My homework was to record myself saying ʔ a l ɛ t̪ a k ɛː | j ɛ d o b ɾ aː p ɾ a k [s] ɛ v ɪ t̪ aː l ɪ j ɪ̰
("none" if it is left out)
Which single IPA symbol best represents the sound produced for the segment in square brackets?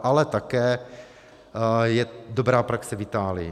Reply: s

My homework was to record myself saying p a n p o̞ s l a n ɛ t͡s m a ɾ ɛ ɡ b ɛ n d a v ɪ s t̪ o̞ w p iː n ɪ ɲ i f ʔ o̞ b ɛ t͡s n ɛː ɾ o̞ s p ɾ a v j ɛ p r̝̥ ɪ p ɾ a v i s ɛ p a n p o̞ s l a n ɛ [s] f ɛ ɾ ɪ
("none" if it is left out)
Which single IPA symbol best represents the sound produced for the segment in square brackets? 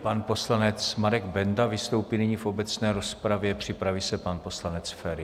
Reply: t͡s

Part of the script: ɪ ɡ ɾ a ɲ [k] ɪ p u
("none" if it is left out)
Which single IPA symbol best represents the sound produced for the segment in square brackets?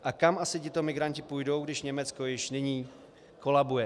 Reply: c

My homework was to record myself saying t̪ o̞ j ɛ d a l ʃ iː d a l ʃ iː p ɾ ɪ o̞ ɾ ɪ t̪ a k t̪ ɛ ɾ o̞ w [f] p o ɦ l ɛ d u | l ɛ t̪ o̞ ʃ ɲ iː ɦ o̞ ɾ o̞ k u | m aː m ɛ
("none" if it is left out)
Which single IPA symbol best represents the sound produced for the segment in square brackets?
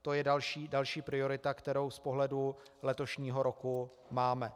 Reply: s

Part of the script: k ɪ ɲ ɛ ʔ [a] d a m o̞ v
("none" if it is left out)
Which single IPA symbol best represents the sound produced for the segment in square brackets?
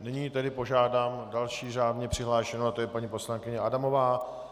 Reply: a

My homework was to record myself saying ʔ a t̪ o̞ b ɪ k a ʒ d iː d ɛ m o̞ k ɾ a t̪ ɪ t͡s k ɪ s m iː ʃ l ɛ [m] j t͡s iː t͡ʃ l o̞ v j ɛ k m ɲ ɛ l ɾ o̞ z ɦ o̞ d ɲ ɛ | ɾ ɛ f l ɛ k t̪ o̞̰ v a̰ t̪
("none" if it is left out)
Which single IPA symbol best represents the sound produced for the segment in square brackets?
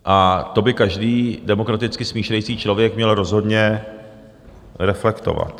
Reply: none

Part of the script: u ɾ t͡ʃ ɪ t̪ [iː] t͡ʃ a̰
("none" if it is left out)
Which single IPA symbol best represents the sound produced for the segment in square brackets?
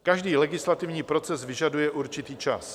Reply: iː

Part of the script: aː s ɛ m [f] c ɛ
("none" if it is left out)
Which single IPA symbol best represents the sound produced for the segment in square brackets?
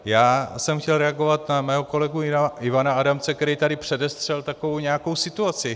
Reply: x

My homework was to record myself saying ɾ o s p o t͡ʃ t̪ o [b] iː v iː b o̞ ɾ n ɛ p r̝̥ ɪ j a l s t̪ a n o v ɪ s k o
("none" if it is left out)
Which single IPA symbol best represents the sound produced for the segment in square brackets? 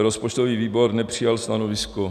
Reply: v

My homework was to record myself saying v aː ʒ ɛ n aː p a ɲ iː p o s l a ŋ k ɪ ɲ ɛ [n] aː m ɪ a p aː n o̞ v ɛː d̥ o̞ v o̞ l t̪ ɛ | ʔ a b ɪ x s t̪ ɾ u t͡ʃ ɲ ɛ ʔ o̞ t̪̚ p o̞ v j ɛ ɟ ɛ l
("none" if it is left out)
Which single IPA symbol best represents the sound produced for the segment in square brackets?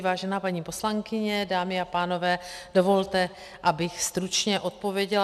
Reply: d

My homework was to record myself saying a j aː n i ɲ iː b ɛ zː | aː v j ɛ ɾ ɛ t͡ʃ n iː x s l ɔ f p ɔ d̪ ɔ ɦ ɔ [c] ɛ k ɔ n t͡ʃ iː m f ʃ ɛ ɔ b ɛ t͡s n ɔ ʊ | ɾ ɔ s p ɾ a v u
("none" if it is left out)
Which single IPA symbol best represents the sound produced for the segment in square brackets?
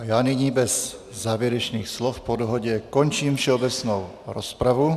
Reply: ɟ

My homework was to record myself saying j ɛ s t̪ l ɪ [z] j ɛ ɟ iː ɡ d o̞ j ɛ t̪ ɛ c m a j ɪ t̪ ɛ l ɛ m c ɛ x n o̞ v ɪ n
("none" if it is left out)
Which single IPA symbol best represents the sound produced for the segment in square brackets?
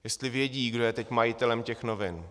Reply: v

